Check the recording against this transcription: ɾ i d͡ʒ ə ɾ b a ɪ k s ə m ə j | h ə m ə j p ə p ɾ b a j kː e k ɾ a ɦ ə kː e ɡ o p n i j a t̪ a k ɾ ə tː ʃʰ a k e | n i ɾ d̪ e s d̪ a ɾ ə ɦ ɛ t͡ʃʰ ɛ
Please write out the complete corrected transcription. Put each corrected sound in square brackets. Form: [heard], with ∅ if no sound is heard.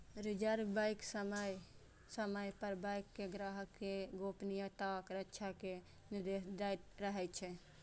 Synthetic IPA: ɾ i d͡ʒ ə ɾ b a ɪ k s ə m ə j | [s] ə m ə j p ə [∅] ɾ b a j kː e [ɡ] ɾ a ɦ ə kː e ɡ o p n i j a t̪ a k ɾ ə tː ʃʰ a k e | n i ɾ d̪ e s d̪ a ɾ ə ɦ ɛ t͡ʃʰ ɛ